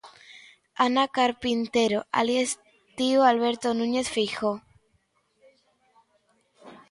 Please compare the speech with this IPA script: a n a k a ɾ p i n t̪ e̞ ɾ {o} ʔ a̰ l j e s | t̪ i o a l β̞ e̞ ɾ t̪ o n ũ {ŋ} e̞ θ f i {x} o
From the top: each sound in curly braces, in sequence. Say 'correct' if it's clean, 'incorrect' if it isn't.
correct, incorrect: ɲ, correct

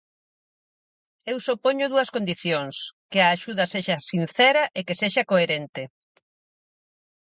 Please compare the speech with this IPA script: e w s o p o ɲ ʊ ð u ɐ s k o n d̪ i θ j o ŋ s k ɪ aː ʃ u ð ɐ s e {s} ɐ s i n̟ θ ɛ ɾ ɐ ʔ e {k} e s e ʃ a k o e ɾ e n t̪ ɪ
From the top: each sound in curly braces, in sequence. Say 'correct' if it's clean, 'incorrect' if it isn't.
incorrect: ʃ, correct

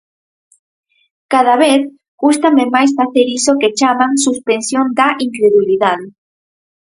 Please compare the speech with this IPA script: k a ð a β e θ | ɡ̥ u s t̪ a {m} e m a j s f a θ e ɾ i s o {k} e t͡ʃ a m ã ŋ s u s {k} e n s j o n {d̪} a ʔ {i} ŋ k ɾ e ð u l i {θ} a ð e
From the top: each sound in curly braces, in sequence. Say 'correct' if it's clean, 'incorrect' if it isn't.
correct, correct, incorrect: p, correct, correct, incorrect: ð

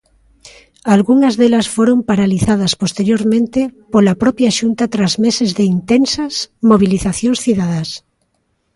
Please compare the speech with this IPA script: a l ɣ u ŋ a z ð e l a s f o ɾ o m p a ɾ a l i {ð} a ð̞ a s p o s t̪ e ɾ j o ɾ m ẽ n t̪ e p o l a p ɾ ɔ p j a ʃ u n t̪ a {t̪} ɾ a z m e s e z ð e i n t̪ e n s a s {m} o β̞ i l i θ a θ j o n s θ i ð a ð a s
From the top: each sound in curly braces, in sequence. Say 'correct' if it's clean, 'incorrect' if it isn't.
incorrect: θ, correct, correct

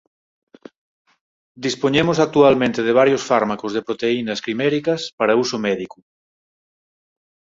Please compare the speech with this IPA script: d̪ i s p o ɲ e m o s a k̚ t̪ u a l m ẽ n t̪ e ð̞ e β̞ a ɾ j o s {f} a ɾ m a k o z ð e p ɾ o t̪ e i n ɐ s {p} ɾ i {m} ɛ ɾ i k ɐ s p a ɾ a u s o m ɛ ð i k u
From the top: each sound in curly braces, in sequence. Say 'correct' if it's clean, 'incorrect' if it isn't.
correct, incorrect: k, correct

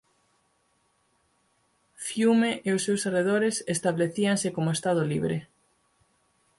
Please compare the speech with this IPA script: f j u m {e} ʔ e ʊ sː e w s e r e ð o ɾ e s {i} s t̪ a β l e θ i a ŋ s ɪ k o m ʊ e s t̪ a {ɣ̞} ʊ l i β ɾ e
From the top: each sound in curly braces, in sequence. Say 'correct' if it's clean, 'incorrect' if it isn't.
correct, incorrect: e, incorrect: ð̞

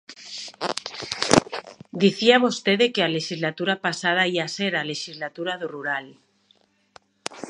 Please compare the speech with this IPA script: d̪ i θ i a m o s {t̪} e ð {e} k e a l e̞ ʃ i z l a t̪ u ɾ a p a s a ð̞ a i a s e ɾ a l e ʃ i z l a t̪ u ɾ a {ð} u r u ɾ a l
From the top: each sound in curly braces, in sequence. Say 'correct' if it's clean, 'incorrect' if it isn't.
correct, correct, correct

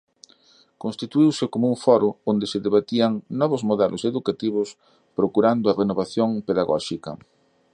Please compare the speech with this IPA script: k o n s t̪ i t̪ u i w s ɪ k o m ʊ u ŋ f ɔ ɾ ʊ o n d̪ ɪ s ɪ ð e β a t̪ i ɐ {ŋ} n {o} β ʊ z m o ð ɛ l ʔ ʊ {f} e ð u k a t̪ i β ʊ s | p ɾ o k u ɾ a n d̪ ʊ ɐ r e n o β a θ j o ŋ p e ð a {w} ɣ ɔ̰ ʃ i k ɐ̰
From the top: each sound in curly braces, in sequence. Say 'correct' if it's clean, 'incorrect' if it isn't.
correct, incorrect: ɔ, incorrect: s, incorrect: none

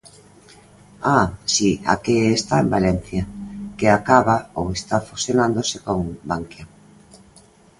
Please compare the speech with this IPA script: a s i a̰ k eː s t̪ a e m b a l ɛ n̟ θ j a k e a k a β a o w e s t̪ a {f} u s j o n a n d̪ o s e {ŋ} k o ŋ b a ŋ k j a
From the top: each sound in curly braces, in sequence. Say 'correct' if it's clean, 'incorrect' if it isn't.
correct, incorrect: none

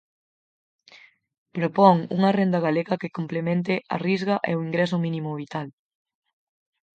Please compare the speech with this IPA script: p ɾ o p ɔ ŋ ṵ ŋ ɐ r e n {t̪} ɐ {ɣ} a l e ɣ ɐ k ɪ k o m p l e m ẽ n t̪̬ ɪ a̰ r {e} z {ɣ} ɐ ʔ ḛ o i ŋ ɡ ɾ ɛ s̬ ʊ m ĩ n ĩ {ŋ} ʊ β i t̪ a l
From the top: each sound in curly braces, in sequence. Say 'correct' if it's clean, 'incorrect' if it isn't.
incorrect: d̪, correct, incorrect: i, correct, incorrect: m

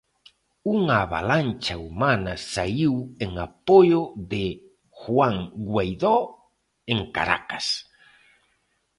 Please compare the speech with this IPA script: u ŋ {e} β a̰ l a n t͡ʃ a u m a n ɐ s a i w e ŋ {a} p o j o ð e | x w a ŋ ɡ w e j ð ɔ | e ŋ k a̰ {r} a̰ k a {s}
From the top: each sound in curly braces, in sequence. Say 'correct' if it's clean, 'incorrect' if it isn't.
incorrect: a, correct, incorrect: ɾ, correct

